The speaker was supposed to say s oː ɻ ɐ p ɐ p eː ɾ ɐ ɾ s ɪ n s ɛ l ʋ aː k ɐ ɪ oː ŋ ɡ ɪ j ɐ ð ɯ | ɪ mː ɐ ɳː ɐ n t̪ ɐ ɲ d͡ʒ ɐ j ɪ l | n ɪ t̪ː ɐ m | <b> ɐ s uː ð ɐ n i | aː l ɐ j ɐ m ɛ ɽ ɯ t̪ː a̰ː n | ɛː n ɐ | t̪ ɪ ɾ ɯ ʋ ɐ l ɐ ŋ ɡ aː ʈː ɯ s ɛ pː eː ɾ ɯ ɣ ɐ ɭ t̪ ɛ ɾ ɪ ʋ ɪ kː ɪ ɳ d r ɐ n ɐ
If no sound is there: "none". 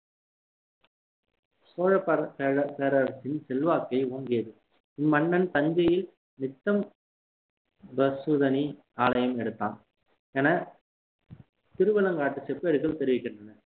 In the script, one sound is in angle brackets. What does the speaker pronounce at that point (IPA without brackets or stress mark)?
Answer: b